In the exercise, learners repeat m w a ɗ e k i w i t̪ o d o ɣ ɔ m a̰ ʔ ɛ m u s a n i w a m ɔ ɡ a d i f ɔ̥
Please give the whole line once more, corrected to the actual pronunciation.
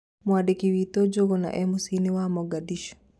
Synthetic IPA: m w a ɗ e k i w i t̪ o d͡ʒ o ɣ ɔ n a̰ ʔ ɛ m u s i n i w a m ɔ ɡ a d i ʃ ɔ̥